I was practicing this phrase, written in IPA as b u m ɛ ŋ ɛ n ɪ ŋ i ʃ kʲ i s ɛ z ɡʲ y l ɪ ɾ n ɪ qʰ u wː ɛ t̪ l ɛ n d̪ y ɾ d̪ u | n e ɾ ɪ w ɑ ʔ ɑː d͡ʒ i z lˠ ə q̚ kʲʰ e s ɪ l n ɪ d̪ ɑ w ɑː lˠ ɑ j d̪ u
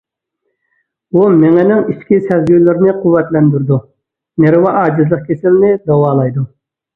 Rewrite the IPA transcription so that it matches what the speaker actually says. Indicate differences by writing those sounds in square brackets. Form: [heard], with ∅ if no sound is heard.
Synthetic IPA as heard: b u m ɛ ŋ ɛ n ɪ ŋ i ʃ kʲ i s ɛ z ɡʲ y l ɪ ɾ n ɪ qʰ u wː ɛ t̪ l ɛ n d̪ y ɾ d̪ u | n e ɾ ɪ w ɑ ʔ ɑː d͡ʒ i z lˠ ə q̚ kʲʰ e s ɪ l n ɪ d̪ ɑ w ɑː lˠ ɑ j d̪ u